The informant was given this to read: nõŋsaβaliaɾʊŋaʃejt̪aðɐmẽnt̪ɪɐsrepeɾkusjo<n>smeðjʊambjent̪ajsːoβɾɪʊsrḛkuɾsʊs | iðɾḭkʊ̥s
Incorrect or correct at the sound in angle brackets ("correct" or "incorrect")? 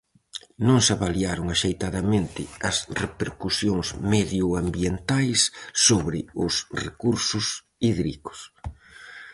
incorrect